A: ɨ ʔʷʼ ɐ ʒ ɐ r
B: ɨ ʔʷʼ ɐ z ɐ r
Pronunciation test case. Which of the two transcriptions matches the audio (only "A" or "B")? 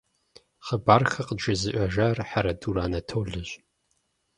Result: A